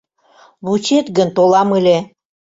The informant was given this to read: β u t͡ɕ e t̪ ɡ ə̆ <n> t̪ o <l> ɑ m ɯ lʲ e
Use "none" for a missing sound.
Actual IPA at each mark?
n, l

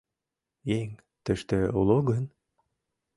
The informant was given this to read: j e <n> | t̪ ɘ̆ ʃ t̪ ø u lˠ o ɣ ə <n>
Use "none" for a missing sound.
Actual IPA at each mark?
ŋ, n

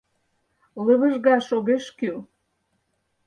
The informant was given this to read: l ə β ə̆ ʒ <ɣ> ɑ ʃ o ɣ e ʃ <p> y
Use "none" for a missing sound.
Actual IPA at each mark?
ɣ, k

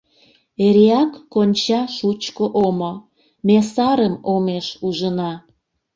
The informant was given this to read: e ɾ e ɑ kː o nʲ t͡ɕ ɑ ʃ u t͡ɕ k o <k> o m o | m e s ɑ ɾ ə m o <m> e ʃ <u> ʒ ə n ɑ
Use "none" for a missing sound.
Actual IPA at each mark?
ʔ, m, u

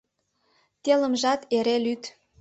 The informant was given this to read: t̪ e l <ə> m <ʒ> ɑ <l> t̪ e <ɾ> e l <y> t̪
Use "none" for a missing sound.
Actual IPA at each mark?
ə, ʒ, none, ɾ, y

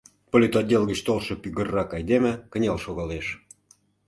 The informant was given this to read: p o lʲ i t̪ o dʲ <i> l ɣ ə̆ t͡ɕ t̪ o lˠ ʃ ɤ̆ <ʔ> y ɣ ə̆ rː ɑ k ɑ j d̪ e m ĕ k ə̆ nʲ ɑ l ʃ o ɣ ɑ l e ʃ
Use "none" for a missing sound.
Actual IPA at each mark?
e, p

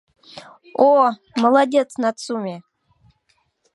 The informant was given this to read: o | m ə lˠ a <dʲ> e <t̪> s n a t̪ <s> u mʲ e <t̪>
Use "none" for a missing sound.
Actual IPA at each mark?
dʲ, t̪, s, none

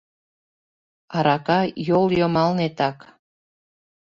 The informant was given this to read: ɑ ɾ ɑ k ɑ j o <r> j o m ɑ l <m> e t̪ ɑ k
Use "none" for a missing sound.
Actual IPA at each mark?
l, n

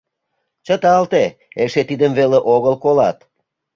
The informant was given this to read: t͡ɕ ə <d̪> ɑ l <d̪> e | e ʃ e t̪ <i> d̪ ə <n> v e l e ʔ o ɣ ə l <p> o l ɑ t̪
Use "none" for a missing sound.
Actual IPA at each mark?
t̪, t̪, i, m, k

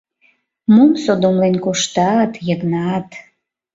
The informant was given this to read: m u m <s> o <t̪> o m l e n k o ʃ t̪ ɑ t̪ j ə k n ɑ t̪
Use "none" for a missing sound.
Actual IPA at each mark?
s, d̪

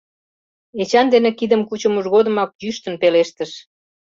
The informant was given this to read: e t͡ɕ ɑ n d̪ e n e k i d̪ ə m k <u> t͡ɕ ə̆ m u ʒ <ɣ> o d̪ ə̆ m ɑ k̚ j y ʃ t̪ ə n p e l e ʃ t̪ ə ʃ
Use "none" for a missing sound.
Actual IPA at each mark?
u, ɣ

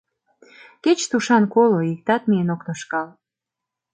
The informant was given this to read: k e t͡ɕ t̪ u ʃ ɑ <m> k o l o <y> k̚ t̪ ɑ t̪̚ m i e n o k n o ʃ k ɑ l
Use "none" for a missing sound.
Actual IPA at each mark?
n, i

